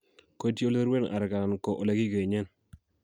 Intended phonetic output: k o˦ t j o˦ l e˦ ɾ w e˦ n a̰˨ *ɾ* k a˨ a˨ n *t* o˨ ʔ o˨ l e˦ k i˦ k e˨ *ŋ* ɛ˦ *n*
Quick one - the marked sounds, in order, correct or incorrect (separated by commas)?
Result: correct, incorrect, incorrect, correct